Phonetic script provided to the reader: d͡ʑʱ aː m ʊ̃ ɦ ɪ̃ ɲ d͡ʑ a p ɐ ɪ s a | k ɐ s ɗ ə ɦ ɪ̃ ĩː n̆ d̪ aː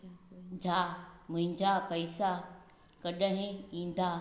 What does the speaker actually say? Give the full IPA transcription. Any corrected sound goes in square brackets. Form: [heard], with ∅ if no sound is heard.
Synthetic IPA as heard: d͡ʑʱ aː m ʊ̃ ɦ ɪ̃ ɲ d͡ʑ a p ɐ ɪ s a | k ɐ [∅] ɗ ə ɦ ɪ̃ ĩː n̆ d̪ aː